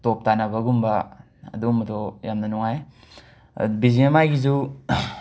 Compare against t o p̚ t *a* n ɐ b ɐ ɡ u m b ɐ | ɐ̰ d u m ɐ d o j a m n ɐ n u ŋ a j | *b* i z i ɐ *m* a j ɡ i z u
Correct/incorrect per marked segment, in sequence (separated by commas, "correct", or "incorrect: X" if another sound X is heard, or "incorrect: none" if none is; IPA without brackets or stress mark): correct, correct, correct